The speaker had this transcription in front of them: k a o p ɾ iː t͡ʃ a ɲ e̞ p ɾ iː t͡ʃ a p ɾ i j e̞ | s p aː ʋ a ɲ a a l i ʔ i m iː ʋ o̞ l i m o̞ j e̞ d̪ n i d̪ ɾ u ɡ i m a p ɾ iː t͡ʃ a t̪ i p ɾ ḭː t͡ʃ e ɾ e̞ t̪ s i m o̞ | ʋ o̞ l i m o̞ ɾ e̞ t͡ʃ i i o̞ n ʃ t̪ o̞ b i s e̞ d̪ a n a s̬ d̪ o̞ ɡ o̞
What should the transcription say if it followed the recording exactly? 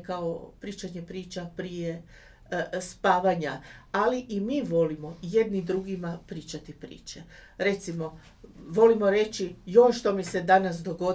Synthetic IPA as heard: k a o p ɾ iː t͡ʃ a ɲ e̞ p ɾ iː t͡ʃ a p ɾ i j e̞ | s p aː ʋ a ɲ a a l i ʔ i m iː ʋ o̞ l i m o̞ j e̞ d̪ n i d̪ ɾ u ɡ i m a p ɾ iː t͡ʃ a t̪ i p ɾ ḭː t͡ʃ e ɾ e̞ t̪ s i m o̞ | ʋ o̞ l i m o̞ ɾ e̞ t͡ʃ i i o̞ n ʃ t̪ o̞ m i s e̞ d̪ a n a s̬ d̪ o̞ ɡ o̞